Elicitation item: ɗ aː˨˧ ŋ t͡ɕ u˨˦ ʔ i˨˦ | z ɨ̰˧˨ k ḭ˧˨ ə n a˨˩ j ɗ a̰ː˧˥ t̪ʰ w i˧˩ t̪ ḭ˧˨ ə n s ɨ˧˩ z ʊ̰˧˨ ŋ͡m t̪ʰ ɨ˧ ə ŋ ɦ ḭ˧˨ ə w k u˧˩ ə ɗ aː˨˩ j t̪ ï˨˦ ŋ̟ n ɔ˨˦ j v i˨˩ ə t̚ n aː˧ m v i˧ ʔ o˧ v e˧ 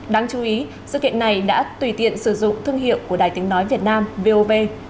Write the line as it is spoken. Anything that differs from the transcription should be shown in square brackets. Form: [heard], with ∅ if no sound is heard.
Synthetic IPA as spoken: ɗ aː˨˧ ŋ t͡ɕ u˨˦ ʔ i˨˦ | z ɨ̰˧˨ k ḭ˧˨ ə n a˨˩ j ɗ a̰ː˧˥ [t̪] w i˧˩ t̪ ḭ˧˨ ə n s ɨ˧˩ z ʊ̰˧˨ ŋ͡m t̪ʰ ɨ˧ ə ŋ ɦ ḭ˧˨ ə w k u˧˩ ə ɗ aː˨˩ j t̪ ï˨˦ ŋ̟ n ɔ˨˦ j v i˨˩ ə t̚ n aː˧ m v [e˧] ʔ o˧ v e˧

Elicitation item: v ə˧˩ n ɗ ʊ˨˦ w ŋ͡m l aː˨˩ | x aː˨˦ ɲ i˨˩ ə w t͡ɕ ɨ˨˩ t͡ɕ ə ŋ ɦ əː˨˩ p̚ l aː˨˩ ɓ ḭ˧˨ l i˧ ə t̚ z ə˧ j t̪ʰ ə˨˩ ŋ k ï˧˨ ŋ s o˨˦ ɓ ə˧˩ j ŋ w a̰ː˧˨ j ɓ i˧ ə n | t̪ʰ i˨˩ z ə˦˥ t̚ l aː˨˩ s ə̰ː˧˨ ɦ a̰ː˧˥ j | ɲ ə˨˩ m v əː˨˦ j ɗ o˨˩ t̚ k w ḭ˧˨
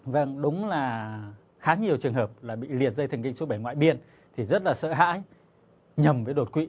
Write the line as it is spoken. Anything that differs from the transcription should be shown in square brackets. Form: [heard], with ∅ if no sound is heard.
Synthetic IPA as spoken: v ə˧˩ [ŋ] ɗ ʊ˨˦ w ŋ͡m l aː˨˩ | x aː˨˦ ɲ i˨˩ ə w t͡ɕ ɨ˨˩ [∅] ə ŋ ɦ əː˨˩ p̚ l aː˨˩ ɓ ḭ˧˨ l [i˨˩] ə t̚ z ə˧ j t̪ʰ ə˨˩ ŋ k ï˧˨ ŋ s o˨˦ ɓ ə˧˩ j ŋ w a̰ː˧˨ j ɓ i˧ ə n | t̪ʰ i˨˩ z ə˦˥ t̚ l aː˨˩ s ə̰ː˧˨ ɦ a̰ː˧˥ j | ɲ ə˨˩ m v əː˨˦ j ɗ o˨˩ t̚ k w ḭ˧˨

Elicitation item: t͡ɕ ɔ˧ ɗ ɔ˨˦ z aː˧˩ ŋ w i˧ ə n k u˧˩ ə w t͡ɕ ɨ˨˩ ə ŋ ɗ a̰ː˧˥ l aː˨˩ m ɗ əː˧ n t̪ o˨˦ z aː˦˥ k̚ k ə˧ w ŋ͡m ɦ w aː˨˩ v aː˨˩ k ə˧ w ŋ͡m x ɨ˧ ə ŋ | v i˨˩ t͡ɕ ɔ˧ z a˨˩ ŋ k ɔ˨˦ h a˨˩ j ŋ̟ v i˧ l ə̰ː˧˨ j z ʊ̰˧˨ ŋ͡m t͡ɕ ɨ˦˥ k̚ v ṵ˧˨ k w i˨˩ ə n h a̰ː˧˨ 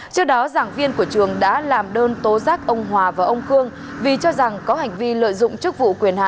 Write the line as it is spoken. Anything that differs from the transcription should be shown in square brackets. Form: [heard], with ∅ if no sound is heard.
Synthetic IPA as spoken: t͡ɕ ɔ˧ ɗ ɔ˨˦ z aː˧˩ ŋ [v] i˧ ə n k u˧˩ ə [∅] t͡ɕ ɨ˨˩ ə ŋ ɗ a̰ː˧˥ l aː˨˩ m ɗ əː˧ n t̪ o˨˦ z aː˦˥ k̚ [ʔ] ə˧ w ŋ͡m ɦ w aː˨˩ v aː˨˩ [ʔ] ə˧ w ŋ͡m x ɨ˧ ə ŋ | v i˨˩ t͡ɕ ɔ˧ z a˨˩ ŋ k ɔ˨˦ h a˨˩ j ŋ̟ v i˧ l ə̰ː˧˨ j z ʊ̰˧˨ ŋ͡m t͡ɕ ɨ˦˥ k̚ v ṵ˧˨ k w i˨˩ ə n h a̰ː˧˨

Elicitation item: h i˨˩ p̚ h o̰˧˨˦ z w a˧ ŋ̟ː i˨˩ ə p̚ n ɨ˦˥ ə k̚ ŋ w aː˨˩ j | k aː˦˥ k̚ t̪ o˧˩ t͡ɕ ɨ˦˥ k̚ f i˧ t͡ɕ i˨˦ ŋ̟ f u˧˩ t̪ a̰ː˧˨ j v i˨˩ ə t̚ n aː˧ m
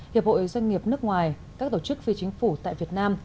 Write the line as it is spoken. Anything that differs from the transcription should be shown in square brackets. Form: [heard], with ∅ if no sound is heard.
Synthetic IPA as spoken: h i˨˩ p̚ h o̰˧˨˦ z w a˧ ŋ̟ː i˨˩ ə p̚ n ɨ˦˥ ə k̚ ŋ w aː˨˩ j | k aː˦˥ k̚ t̪ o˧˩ t͡ɕ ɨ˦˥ k̚ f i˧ t͡ɕ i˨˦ ŋ̟ f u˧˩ t̪ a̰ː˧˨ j v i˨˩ ə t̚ n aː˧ m

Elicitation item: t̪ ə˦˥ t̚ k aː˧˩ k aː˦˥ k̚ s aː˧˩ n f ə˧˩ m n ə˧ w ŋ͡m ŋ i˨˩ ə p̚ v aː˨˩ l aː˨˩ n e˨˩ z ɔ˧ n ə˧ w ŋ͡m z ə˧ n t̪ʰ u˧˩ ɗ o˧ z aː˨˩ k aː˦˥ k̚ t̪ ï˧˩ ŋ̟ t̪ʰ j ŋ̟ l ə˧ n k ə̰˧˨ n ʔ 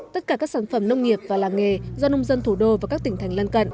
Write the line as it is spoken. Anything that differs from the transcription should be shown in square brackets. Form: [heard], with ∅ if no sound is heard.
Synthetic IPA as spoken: t̪ ə˦˥ t̚ k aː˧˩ k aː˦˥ k̚ s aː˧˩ n f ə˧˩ m n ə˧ w ŋ͡m ŋ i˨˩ ə p̚ v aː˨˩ l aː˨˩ [ŋ] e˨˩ z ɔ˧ n ə˧ w ŋ͡m z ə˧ n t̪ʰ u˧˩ ɗ o˧ [v] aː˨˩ k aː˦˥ k̚ t̪ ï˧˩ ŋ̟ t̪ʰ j ŋ̟ l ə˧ n k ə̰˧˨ n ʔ

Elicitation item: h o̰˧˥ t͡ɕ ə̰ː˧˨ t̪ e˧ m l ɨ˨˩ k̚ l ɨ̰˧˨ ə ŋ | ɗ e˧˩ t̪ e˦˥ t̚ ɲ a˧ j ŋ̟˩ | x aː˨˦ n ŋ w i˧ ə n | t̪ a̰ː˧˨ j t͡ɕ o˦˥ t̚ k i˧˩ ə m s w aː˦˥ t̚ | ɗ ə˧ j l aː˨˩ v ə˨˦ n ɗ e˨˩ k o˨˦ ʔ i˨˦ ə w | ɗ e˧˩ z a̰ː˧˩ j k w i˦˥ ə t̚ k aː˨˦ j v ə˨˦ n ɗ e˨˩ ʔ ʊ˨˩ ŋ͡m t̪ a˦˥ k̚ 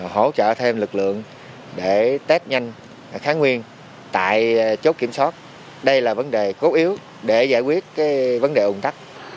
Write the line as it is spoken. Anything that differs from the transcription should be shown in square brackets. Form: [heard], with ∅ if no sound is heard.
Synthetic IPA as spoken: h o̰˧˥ t͡ɕ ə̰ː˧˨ [t̪ʰ] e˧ m l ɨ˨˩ k̚ l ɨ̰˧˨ ə ŋ | ɗ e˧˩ t̪ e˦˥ t̚ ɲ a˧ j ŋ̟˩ | x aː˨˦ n ŋ w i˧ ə n | t̪ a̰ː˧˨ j t͡ɕ o˦˥ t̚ k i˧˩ ə m s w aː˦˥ t̚ | ɗ ə˧ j l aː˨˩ v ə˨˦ n ɗ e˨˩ k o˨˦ ʔ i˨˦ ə w | ɗ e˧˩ z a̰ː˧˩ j k w i˦˥ ə t̚ k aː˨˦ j v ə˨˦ n ɗ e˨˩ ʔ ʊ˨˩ ŋ͡m t̪ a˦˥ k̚

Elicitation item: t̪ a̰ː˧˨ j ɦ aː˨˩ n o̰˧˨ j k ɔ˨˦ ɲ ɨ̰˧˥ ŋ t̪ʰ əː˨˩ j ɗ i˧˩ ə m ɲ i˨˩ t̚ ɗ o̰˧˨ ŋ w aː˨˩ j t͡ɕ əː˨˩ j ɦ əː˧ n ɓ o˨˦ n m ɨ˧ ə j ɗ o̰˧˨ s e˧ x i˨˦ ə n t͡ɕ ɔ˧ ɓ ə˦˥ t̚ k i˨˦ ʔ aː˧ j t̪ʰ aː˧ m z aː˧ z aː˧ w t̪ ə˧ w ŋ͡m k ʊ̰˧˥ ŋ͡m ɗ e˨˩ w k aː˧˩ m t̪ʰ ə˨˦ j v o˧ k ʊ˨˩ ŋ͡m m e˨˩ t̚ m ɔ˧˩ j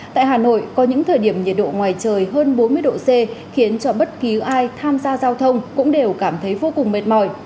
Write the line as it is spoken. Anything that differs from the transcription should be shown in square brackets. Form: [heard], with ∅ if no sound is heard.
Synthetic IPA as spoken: t̪ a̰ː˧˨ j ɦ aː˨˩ n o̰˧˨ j k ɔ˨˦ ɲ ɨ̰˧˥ ŋ t̪ʰ əː˨˩ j ɗ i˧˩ ə m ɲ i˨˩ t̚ ɗ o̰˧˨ ŋ w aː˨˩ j t͡ɕ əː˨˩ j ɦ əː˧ n ɓ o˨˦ n m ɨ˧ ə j ɗ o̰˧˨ s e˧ x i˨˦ ə n t͡ɕ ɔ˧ ɓ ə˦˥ t̚ k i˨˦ ʔ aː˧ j t̪ʰ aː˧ m z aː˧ z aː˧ w [t̪ʰ] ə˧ w ŋ͡m k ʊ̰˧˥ ŋ͡m ɗ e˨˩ w k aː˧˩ m t̪ʰ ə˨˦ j v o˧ k ʊ˨˩ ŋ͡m m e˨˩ t̚ m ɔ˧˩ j

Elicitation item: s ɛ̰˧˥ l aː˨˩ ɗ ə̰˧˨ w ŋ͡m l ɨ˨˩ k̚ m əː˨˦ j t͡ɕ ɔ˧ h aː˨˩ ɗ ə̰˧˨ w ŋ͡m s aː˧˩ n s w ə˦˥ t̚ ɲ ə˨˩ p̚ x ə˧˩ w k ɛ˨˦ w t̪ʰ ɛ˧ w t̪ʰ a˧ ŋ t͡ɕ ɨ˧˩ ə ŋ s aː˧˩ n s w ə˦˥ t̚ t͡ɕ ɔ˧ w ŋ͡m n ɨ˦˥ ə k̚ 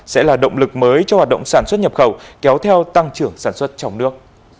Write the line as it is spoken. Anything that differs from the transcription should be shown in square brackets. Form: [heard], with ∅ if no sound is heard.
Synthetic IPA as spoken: s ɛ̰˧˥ l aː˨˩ ɗ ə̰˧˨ w ŋ͡m l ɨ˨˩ k̚ m əː˨˦ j t͡ɕ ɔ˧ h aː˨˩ ɗ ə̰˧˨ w ŋ͡m s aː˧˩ n s w ə˦˥ t̚ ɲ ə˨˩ p̚ x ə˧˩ w k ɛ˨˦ w t̪ʰ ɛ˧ w [t̪] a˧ ŋ t͡ɕ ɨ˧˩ ə ŋ s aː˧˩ n s w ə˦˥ t̚ t͡ɕ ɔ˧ w ŋ͡m n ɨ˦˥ ə k̚

